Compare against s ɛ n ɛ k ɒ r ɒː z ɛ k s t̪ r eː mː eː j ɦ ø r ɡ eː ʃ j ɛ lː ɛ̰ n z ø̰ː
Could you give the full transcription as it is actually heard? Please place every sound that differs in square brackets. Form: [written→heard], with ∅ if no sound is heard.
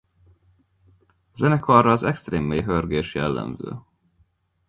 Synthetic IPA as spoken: [s→z] ɛ n ɛ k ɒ r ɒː z ɛ k s t̪ r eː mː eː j ɦ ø r ɡ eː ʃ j ɛ lː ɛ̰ [n→m] z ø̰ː